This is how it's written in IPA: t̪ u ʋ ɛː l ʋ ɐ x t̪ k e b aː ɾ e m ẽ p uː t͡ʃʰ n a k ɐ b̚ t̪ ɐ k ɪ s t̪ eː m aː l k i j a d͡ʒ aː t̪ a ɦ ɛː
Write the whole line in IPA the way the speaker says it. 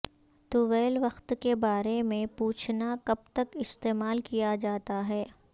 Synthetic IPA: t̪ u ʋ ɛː l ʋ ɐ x t̪ k e b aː ɾ e m ẽ p uː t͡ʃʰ n a k ɐ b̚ t̪ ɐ k ɪ s t̪ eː m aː l k i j a d͡ʒ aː t̪ a ɦ ɛː